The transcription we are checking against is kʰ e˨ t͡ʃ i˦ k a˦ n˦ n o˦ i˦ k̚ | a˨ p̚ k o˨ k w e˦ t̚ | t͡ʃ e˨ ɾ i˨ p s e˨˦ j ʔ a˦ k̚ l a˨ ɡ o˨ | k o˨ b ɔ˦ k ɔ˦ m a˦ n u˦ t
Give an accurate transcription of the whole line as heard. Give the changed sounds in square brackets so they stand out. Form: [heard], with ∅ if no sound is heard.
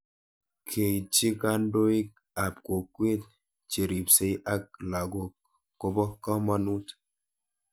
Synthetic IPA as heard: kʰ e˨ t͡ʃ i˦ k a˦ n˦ [d] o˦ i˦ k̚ | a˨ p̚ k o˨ k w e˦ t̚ | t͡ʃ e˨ ɾ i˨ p s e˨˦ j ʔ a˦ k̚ l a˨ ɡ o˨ | k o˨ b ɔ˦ k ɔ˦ m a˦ n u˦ t